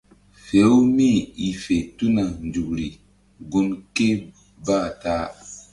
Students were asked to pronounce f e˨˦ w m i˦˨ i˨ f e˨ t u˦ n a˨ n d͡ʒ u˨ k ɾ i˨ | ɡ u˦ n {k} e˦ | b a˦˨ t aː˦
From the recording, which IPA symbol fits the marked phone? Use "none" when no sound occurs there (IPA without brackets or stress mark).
k